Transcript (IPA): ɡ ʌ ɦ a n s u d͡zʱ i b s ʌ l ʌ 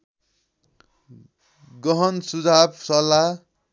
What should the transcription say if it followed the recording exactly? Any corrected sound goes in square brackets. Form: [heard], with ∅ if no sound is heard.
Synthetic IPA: ɡ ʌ ɦ [ʌ] n s u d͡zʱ [a] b s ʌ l [a]